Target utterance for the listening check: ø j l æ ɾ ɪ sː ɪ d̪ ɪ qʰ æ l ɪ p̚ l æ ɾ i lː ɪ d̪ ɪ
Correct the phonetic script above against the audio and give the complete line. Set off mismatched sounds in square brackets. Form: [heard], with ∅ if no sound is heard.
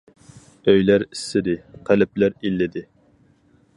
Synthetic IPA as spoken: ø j l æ ɾ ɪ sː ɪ d̪ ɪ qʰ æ l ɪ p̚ l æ ɾ i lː ɪ d̪ ɪ